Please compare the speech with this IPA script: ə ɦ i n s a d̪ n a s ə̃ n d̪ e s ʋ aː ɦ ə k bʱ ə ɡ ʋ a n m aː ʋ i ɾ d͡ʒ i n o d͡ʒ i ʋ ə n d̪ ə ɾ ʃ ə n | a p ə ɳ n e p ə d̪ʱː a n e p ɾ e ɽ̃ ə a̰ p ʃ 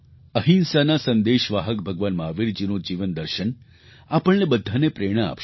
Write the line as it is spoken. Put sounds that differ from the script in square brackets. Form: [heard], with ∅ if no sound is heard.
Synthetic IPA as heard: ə ɦ i n s a [∅] n a s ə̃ n d̪ e [ʃ] ʋ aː ɦ ə k bʱ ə ɡ ʋ a n m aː ʋ i ɾ d͡ʒ i n o d͡ʒ i ʋ ə n d̪ ə ɾ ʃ ə n | a p ə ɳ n e [b] ə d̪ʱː a n e p ɾ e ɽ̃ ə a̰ p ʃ